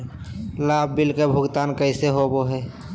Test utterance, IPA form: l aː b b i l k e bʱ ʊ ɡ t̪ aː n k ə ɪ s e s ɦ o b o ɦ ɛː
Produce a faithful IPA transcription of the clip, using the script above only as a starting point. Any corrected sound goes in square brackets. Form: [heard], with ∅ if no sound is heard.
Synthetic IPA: l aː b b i l k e bʱ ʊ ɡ t̪ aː n k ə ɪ s e [∅] ɦ o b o ɦ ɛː

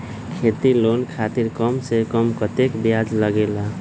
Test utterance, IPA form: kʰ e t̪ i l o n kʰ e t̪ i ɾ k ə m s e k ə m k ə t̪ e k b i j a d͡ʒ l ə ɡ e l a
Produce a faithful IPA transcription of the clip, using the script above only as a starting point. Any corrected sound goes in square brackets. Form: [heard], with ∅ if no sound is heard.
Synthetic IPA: kʰ e t̪ i l o n kʰ [a] t̪ i ɾ k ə m s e k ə m k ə t̪ e k b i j a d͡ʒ l ə ɡ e l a

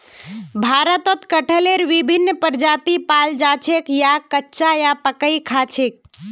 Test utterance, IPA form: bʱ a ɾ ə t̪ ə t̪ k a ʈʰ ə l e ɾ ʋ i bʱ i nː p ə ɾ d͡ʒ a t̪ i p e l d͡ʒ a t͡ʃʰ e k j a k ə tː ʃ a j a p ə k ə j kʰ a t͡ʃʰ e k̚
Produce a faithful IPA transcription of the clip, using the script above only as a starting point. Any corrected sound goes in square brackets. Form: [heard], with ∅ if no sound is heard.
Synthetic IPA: bʱ a ɾ ə t̪ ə t̪ k [ə] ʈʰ ə l e ɾ ʋ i bʱ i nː p ə ɾ d͡ʒ a t̪ i p [a] l d͡ʒ a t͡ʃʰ e k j a k ə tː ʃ a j a p ə k ə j kʰ a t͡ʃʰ e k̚

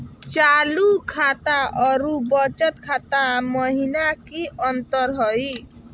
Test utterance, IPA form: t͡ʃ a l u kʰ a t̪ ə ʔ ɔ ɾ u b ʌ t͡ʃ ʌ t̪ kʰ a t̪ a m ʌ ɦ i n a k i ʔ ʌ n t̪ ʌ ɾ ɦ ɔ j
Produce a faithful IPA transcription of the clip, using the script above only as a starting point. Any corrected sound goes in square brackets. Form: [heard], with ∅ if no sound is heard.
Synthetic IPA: t͡ʃ a l u kʰ a t̪ [a] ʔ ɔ ɾ u b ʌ t͡ʃ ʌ t̪ kʰ a t̪ a m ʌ ɦ i n a k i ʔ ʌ n t̪ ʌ ɾ ɦ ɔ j

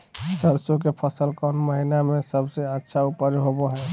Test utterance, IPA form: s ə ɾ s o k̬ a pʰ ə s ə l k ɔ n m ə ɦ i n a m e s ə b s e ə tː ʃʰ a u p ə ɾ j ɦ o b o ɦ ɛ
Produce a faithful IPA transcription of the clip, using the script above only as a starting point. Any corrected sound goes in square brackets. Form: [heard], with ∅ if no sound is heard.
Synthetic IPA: s ə ɾ s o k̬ [e] pʰ ə s ə l k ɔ n m ə ɦ i n a m e s ə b s e ə tː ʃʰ a u p ə ɾ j ɦ o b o ɦ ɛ

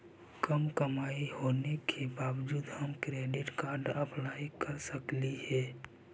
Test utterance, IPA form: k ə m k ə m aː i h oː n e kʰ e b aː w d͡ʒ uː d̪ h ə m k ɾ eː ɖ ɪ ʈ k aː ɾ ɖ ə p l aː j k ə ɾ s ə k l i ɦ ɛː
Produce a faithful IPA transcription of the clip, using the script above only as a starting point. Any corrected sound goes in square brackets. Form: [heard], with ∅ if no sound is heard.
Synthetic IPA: k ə m k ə m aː i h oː n e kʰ e b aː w d͡ʒ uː d̪ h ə m k ɾ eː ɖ ɪ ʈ k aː ɾ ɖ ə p l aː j k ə ɾ s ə k l i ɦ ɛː

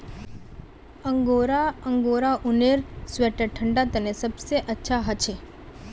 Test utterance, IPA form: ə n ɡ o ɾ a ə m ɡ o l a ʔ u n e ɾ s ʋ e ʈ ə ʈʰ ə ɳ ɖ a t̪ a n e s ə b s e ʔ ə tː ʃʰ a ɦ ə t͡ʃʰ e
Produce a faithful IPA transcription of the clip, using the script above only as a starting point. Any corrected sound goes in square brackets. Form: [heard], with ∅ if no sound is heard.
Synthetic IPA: ə [ŋ] ɡ o ɾ a ə [ŋ] ɡ o [ɾ] a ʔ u n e ɾ s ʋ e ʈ ə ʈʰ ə ɳ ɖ a t̪ [ə] n e s ə b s e ʔ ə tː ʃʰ a ɦ ə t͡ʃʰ e

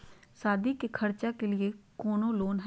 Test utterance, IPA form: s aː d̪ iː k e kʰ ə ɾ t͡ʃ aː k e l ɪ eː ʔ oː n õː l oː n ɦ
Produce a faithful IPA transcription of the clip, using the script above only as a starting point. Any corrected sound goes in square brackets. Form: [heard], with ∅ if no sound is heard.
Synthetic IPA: s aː d̪ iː k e kʰ ə ɾ t͡ʃ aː k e l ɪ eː [k] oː n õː l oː n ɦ

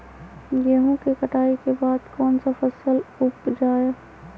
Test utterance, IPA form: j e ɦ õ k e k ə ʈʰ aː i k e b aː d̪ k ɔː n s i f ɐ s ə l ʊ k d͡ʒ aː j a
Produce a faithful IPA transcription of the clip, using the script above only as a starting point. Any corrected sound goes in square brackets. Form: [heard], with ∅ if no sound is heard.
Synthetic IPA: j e ɦ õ k e k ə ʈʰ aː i k e b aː d̪ k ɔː n s [a] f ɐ s ə l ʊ [p] d͡ʒ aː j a

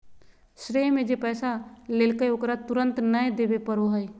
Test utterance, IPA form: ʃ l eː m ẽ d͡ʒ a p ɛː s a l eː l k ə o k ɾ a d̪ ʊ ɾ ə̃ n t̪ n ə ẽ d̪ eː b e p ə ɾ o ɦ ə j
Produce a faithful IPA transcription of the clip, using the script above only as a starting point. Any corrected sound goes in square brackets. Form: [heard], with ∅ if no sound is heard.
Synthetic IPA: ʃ [ɾ] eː m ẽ d͡ʒ [e] p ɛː s a l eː l k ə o k ɾ a [t̪] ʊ ɾ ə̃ n t̪ n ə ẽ d̪ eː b e p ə ɾ o ɦ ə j

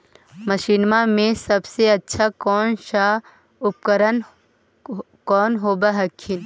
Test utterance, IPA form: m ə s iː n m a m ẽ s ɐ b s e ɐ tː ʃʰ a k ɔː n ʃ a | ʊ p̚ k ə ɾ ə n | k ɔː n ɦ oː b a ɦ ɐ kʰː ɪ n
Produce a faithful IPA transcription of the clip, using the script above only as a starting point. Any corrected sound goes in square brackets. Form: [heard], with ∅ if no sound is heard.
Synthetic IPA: m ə [ʃ] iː n m a m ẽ s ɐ b s e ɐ tː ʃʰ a k ɔː n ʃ a | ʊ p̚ k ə ɾ ə n | k ɔː n ɦ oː b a ɦ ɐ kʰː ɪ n

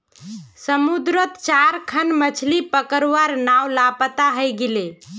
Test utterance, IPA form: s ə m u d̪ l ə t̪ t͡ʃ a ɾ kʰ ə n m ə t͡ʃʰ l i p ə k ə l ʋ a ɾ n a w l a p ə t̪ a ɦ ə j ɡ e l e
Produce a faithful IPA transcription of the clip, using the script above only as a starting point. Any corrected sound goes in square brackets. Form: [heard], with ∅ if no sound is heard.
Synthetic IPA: s ə m u d̪ [ɾ] ə t̪ t͡ʃ a ɾ kʰ ə n m ə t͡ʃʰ l i p ə k ə [ɾ] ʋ a ɾ n a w l a p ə t̪ a ɦ ə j ɡ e l e

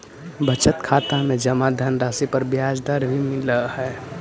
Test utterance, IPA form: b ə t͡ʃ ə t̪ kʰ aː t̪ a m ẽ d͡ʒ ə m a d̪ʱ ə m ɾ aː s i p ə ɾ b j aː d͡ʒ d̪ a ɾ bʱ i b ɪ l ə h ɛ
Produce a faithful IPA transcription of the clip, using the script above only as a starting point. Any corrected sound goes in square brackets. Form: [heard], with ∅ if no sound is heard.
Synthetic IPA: b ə t͡ʃ ə t̪ kʰ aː t̪ a m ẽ d͡ʒ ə m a d̪ʱ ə [n] ɾ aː s i p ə ɾ b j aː d͡ʒ d̪ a ɾ bʱ i [m] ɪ l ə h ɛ

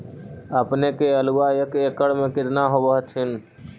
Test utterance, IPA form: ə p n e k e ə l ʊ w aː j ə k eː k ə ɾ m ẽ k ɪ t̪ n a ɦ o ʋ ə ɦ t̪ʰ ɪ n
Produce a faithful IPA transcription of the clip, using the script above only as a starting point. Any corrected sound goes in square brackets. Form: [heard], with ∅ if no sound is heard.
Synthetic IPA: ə p n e k e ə l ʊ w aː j ə k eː k ə [ɽ] m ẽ k ɪ t̪ n a ɦ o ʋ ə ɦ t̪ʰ ɪ n

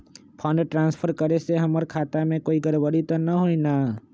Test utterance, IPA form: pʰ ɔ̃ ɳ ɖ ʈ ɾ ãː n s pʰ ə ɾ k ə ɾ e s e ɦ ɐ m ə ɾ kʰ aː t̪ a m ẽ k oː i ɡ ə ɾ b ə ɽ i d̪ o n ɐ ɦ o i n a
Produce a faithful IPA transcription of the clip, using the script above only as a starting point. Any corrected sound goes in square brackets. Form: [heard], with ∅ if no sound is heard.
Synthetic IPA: pʰ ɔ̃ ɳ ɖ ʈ ɾ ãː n s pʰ ə ɾ k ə ɾ e s e ɦ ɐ m ə ɾ kʰ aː t̪ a m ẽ k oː i ɡ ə ɾ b ə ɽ i [t̪] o n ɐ ɦ o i n a

